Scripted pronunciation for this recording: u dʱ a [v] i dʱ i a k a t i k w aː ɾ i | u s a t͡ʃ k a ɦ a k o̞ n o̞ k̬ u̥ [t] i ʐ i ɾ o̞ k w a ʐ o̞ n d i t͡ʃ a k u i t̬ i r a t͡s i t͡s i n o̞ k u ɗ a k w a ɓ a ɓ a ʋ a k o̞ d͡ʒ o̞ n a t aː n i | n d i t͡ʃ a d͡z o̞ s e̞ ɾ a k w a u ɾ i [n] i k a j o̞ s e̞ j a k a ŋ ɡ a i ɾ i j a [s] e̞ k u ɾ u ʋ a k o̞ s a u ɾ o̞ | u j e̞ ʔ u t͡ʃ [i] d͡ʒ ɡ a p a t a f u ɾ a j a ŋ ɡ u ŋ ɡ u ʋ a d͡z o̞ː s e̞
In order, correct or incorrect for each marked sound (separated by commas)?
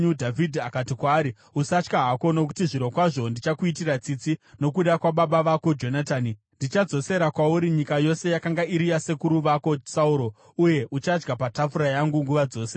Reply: correct, correct, incorrect, correct, incorrect